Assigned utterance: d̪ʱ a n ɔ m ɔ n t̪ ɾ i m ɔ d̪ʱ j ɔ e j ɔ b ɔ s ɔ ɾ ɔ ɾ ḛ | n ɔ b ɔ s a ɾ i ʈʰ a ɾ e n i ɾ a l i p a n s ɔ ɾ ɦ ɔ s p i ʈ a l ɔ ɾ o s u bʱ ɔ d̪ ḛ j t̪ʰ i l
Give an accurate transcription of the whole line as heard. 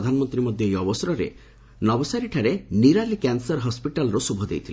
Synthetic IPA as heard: d̪ʱ a n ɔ m ɔ n t̪ ɾ i m ɔ d̪ʱ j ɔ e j ɔ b ɔ s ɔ ɾ ɔ ɾ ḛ | n ɔ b ɔ s a ɾ i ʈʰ a ɾ e n i ɾ a l i k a n s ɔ ɾ ɦ ɔ s p i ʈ a l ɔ ɾ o s u bʱ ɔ d̪ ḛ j t̪ʰ i l

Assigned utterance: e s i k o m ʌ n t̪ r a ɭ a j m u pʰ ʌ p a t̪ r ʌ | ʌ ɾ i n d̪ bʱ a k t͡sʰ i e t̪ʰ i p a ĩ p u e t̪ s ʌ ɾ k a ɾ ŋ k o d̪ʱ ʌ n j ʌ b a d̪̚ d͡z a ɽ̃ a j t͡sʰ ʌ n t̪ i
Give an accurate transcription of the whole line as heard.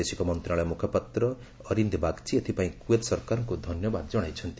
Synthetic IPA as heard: e s i k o m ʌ n t̪ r a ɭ a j m u kʰ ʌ p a t̪ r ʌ | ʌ ɾ i n d̪ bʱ a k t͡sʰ i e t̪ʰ i p a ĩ k u e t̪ s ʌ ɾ k a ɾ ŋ k o d̪ʱ ʌ n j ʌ b a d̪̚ d͡z ʌ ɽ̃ a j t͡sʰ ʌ n t̪ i

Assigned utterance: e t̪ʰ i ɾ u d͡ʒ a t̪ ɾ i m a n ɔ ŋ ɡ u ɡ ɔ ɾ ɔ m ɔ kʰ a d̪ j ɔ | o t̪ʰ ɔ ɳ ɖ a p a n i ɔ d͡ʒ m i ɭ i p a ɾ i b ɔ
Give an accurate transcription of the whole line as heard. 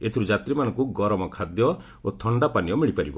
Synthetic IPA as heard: e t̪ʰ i ɾ u d͡ʒ a t̪ ɾ i m a n ɔ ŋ k u ɡ ɔ ɾ ɔ m ɔ kʰ a d̪ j ɔ | o t̪ʰ ɔ ɳ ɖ a p a n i ɔ m i ɭ i p a ɾ i b ɔ

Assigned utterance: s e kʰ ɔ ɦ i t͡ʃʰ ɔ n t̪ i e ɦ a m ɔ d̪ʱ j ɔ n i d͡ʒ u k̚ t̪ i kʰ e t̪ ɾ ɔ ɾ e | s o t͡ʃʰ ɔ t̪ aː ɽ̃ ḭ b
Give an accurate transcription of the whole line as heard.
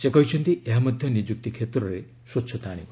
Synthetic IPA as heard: s e k ɔ ɦ i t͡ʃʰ ɔ n t̪ i e ɦ a m ɔ d̪ʱ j ɔ n i d͡ʒ u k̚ t̪ i kʰ e t̪ ɾ ɔ ɾ e | s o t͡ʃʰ ɔ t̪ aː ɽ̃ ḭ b

